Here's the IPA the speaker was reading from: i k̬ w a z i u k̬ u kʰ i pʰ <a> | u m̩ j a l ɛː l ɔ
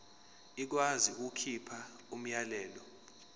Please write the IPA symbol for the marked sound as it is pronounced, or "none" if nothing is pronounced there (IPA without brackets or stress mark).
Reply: a